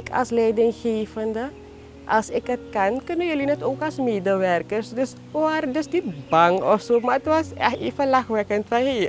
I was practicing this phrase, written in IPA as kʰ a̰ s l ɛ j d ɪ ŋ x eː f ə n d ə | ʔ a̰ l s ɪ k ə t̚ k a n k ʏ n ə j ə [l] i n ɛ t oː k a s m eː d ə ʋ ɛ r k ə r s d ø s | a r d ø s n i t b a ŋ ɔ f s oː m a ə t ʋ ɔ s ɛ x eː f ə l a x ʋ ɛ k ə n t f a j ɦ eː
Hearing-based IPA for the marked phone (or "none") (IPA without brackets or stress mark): l